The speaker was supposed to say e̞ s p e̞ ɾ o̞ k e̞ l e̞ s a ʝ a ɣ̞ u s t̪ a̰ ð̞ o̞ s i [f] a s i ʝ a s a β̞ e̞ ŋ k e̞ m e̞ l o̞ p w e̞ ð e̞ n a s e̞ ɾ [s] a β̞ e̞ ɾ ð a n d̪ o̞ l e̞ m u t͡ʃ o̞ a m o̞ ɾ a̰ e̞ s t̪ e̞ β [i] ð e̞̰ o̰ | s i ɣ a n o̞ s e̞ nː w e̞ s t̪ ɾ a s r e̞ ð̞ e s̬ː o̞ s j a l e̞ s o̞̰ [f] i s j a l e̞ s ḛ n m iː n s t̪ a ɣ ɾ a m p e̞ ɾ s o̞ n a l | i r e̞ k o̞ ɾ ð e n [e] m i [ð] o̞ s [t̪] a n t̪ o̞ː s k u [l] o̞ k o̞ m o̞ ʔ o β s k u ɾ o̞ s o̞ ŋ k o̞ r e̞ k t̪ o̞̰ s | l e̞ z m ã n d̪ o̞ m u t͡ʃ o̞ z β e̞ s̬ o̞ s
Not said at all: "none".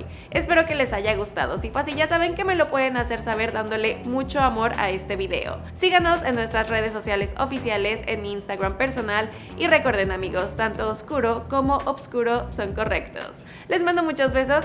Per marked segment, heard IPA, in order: f, s, i, f, a, ɣ, t̪, ɾ

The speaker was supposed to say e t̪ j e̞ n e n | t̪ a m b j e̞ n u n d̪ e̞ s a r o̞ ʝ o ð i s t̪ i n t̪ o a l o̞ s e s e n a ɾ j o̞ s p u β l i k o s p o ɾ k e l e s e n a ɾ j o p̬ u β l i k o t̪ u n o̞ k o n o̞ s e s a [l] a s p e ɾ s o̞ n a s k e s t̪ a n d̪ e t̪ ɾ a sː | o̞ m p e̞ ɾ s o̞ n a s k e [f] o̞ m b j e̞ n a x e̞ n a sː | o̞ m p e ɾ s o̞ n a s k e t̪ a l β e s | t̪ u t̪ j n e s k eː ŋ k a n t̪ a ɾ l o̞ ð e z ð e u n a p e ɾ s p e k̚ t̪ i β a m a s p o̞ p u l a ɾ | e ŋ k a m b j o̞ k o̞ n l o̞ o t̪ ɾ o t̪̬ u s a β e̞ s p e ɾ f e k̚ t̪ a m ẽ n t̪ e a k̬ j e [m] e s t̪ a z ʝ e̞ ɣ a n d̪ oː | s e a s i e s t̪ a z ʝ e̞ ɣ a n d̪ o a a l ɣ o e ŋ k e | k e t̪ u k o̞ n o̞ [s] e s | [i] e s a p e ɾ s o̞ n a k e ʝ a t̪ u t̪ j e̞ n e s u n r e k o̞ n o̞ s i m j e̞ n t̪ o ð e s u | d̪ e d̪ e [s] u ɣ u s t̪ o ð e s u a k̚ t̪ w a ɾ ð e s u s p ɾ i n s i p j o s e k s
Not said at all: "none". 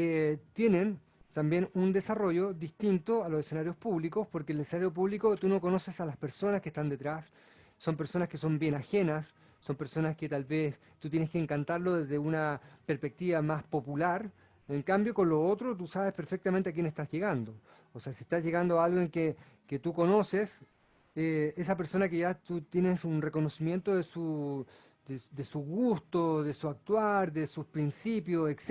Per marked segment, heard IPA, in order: l, s, n, s, e, s

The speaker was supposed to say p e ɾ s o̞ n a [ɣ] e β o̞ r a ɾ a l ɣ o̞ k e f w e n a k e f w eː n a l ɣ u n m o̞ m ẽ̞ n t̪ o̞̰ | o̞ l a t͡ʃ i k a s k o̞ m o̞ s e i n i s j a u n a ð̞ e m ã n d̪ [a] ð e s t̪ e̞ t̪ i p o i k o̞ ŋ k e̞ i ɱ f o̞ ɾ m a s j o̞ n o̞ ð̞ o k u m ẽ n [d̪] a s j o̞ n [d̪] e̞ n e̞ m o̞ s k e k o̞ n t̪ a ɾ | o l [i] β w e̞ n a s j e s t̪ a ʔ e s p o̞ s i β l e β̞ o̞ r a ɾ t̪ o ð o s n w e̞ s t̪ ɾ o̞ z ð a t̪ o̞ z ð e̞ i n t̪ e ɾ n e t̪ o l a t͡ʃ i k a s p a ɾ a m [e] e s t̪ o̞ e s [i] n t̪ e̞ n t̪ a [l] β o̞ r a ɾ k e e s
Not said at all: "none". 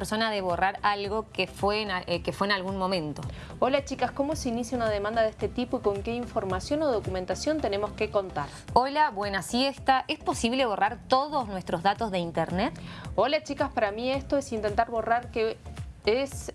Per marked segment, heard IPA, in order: ð, a, t̪, t̪, a, i, i, ɾ

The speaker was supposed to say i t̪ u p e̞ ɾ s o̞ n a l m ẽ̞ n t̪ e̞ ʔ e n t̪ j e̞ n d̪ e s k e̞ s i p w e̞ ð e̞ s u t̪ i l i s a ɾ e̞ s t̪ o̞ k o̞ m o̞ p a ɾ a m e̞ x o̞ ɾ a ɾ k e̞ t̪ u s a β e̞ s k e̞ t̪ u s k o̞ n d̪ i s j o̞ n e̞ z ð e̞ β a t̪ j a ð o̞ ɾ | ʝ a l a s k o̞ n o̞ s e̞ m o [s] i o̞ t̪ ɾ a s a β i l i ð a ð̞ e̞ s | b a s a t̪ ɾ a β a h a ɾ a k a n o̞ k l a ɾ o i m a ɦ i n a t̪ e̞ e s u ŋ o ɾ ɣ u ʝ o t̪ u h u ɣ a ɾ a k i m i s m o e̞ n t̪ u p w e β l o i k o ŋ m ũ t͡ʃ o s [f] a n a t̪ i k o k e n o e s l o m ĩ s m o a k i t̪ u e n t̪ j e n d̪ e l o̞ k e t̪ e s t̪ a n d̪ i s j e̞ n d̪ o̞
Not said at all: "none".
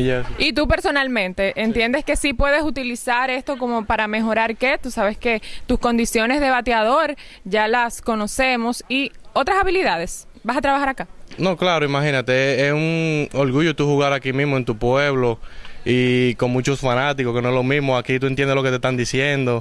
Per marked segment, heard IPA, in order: s, f

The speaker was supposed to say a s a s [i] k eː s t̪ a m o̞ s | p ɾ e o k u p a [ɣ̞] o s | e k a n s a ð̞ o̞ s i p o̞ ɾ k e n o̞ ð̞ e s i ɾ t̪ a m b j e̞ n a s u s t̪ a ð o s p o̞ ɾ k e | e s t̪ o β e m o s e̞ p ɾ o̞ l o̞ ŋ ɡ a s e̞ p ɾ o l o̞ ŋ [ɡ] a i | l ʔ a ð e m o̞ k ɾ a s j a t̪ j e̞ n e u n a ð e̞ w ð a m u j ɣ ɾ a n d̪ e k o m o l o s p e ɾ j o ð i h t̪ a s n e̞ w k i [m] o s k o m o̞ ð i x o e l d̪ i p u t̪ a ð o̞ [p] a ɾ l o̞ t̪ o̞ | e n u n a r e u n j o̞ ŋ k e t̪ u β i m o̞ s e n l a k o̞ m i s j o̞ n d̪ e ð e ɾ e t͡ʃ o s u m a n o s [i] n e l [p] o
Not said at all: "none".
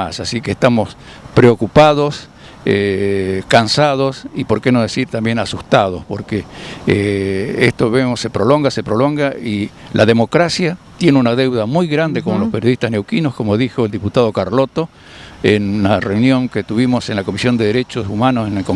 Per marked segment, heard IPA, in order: i, ð̞, ɡ, n, k, e, k

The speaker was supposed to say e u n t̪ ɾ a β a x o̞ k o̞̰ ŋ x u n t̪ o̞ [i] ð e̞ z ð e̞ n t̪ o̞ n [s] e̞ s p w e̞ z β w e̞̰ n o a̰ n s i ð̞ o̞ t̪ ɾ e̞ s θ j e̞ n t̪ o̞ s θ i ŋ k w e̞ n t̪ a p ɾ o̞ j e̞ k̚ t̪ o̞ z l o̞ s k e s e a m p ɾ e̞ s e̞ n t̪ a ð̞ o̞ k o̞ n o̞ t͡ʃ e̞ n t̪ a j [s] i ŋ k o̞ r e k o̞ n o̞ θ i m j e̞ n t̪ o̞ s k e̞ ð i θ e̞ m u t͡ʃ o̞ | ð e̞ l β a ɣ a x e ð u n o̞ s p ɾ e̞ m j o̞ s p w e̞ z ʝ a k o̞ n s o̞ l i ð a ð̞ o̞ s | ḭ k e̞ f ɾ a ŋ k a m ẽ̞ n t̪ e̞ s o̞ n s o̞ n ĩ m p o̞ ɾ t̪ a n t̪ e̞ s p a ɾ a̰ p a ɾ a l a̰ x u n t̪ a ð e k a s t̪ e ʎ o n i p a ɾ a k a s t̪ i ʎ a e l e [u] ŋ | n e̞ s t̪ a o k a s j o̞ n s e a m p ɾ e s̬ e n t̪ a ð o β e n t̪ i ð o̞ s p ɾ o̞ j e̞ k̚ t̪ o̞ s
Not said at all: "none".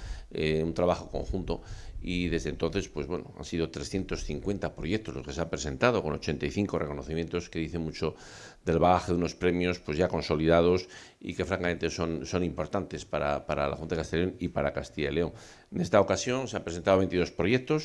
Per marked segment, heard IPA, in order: i, θ, θ, o

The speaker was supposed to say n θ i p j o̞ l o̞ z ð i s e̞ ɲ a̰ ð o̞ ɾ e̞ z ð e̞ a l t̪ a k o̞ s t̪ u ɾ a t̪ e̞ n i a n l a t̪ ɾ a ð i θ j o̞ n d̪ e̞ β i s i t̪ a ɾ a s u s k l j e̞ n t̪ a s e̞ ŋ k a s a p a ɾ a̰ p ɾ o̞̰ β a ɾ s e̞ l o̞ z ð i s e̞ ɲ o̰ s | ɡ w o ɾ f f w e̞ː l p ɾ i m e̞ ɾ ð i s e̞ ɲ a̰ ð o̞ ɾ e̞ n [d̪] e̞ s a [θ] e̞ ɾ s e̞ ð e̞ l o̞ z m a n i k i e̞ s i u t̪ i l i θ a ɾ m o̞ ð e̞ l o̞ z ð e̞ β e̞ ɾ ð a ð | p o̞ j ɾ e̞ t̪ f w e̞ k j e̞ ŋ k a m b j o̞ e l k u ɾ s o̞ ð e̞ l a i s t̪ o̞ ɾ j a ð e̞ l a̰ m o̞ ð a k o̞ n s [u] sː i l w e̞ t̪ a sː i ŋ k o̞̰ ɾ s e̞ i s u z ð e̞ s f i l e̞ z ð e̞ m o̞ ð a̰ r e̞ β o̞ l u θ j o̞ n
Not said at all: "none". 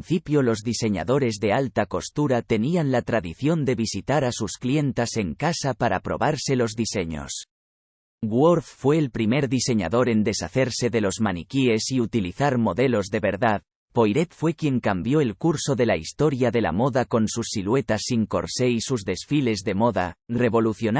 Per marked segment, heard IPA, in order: d̪, θ, u

